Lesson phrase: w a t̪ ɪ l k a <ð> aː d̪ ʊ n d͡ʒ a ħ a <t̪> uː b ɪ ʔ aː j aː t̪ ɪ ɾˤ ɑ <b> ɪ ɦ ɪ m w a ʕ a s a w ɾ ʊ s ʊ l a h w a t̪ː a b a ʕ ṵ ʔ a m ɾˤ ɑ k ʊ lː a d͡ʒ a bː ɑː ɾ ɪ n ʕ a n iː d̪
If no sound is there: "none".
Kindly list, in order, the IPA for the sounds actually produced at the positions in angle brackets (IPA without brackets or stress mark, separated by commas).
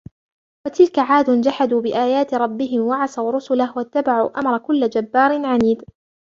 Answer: ʕ, d̪, bː